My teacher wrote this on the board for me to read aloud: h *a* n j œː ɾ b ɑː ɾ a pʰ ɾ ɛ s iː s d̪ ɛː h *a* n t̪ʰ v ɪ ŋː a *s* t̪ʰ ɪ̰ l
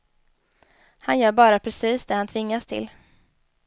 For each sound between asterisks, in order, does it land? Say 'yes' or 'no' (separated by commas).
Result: yes, yes, yes